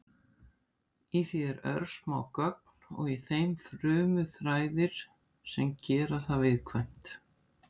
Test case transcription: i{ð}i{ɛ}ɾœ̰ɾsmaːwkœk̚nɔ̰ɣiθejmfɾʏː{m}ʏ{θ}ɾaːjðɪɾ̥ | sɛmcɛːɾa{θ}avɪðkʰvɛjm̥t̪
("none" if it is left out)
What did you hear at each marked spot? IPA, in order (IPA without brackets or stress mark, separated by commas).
θ, ɛ, m, θ, θ